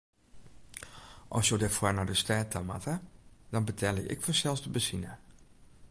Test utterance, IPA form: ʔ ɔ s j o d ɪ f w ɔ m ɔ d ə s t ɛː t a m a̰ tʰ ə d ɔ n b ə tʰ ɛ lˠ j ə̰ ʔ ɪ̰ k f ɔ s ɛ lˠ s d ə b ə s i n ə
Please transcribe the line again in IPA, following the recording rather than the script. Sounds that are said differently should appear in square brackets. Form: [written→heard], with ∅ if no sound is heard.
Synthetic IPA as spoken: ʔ ɔ s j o d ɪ f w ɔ [m→n] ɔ d ə s t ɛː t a m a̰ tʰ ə d ɔ n b ə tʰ ɛ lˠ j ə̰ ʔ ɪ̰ k f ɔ s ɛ lˠ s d ə b ə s i n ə